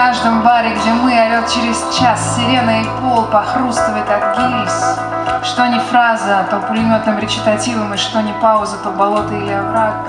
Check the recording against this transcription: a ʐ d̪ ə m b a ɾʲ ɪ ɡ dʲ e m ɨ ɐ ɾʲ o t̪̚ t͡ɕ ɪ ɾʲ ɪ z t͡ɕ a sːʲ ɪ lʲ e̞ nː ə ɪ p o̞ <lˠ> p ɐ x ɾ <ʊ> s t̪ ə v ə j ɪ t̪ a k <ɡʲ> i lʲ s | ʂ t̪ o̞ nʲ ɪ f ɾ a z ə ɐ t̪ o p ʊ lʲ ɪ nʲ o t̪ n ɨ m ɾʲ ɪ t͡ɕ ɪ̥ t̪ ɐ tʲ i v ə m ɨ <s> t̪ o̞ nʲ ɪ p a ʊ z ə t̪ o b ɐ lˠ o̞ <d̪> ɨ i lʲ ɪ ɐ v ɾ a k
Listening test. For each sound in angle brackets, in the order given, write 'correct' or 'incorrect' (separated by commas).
correct, incorrect, correct, incorrect, incorrect